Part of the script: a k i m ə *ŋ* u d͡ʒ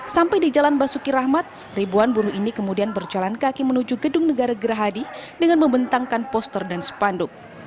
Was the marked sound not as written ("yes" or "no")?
yes